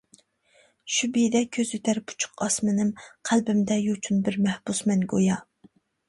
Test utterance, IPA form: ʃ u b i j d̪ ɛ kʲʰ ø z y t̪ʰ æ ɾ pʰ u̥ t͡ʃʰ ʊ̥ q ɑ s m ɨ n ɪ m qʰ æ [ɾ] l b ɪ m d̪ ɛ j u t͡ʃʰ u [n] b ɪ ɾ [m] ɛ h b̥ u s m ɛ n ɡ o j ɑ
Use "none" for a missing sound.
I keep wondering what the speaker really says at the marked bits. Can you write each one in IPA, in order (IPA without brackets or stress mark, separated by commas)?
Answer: none, n, m